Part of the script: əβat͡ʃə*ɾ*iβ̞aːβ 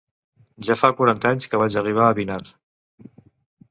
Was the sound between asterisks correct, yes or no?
no